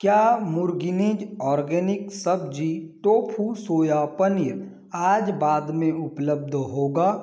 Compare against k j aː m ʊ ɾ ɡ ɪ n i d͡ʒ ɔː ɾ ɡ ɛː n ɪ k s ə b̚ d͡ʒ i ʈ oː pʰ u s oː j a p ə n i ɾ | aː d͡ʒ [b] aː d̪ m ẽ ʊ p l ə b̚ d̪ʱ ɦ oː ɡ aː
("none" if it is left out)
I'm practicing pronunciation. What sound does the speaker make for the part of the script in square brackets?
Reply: b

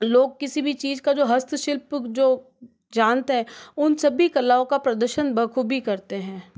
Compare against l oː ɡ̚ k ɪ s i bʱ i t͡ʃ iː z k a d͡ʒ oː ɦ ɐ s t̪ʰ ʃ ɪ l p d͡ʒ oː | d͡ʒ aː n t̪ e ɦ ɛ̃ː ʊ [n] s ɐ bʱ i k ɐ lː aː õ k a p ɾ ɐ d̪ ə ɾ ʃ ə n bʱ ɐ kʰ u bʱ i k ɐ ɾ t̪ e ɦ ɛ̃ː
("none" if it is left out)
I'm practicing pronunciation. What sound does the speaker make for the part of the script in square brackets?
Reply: n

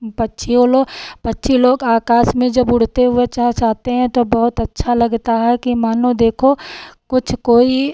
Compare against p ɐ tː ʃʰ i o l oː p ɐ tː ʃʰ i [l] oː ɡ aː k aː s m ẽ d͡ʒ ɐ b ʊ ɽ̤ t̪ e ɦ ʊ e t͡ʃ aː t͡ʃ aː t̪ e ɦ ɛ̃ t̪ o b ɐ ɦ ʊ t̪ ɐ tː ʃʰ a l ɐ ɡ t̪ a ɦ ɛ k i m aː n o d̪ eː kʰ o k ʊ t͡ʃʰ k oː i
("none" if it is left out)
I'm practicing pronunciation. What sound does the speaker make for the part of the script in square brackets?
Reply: l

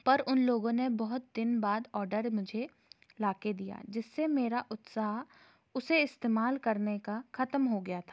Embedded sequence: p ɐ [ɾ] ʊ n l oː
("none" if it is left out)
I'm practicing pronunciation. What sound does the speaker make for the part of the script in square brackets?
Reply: ɾ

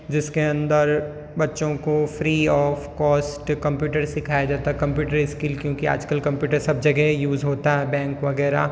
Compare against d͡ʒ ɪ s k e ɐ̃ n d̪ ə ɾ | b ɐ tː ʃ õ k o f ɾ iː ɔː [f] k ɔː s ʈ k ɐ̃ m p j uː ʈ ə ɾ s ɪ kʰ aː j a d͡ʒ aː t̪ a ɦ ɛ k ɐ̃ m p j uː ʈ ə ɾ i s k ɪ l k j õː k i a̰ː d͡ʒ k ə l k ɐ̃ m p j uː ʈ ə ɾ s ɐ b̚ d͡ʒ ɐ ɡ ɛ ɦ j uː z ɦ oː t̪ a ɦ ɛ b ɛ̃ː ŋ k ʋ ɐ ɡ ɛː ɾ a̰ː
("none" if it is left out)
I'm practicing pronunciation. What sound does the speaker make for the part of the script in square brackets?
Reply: f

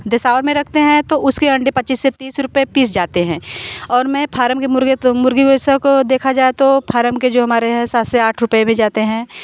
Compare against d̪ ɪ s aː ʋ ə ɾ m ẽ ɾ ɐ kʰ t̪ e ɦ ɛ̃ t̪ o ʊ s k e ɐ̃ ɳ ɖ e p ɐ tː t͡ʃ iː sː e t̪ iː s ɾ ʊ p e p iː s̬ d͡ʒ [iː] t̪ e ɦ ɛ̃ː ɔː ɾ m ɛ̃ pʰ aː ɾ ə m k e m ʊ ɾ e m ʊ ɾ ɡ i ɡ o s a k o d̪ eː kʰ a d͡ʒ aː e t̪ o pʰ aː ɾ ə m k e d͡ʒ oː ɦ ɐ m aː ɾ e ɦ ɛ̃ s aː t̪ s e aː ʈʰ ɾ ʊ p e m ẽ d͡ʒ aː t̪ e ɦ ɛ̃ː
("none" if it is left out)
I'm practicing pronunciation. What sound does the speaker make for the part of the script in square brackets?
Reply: aː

